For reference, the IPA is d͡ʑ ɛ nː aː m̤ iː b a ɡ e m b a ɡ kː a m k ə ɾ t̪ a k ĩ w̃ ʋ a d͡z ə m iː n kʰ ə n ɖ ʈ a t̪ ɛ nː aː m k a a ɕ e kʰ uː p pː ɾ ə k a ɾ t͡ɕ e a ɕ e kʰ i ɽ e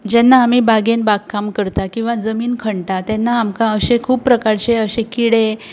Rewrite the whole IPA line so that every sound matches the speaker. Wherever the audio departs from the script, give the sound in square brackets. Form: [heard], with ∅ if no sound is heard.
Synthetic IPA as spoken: d͡ʑ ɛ nː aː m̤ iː b a ɡ e [n] b a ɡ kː a m k ə ɾ t̪ a k ĩ w̃ ʋ a d͡z ə m iː n kʰ ə [ɳ] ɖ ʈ a t̪ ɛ nː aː m k a [ə] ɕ e kʰ uː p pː ɾ ə k a ɾ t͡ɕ e [ə] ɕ e [k] i ɽ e